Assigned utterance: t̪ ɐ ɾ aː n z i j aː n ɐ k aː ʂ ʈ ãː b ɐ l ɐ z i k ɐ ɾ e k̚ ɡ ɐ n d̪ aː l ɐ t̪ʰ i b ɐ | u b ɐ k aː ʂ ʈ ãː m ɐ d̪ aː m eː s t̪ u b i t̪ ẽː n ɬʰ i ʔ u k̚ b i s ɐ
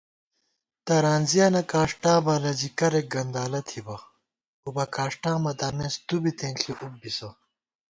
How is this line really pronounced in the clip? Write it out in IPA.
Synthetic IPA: t̪ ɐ ɾ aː n z i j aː n ɐ k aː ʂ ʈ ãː b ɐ l ɐ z i k ɐ ɾ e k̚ ɡ ɐ n d̪ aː l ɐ t̪ʰ i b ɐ | u b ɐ k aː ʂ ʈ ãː m ɐ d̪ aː m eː s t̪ u b i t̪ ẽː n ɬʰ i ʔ u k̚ b i s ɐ